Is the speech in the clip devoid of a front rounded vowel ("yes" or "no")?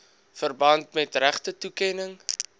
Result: yes